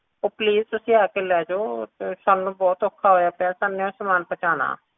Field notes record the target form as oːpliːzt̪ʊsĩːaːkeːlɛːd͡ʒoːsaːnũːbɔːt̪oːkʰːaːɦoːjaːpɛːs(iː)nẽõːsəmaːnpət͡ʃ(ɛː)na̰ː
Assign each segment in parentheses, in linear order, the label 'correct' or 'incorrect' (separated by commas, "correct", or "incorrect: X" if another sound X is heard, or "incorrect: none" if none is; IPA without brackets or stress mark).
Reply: incorrect: aː, incorrect: aː